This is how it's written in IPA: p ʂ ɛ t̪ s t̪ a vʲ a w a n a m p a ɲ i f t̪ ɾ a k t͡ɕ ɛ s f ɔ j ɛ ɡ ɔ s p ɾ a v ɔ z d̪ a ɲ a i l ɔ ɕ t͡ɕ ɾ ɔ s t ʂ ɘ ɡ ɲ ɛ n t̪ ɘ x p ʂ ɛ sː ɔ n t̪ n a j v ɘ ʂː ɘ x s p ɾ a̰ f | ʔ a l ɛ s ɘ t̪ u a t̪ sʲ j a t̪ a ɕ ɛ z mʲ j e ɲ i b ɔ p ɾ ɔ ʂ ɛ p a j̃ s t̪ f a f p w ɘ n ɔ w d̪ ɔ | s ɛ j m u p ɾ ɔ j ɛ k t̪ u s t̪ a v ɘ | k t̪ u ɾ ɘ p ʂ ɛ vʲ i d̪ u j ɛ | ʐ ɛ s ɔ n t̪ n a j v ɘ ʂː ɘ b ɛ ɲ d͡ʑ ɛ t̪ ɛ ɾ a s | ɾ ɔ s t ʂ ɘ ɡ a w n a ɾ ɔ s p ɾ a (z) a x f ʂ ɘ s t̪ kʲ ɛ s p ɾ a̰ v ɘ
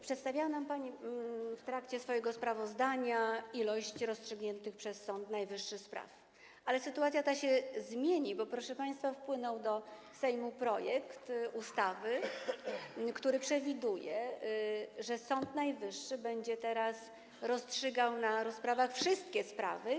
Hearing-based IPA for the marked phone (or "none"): v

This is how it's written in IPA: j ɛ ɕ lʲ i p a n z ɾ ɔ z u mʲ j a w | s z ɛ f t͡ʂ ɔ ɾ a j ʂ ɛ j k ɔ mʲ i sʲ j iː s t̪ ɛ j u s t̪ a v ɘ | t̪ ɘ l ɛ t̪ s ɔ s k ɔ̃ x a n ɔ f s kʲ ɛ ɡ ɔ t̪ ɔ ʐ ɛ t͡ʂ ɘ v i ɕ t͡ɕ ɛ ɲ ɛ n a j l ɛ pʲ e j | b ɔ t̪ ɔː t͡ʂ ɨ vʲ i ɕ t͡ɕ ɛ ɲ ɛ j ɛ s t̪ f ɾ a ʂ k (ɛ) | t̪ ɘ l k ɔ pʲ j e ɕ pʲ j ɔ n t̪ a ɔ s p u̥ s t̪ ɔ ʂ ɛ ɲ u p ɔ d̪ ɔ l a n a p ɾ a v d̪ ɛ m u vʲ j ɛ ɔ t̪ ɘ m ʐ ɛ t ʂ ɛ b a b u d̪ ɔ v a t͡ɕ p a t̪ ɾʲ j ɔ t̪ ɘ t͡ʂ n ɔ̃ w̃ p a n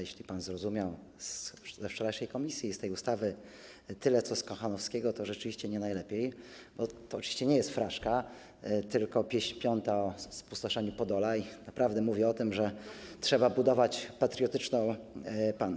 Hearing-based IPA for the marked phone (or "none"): a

